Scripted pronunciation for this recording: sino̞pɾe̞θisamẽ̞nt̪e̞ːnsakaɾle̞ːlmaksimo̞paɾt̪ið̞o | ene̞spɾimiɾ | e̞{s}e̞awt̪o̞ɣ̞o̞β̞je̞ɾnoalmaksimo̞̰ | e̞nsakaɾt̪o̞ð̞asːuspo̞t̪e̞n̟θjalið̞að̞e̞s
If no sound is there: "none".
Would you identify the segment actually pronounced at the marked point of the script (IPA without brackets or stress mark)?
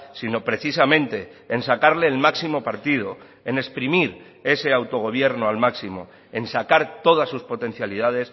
s